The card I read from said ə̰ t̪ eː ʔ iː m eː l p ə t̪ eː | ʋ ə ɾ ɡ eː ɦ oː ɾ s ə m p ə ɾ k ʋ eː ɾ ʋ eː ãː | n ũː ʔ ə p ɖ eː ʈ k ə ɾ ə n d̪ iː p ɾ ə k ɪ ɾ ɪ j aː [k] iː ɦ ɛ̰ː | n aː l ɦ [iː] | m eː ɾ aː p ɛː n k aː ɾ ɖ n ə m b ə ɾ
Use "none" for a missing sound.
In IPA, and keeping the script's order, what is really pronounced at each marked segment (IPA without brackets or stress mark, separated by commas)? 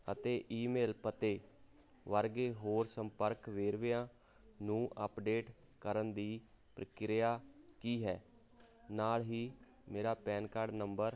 k, iː